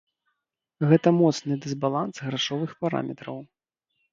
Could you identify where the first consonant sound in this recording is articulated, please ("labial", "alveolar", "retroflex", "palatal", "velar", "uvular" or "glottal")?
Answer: velar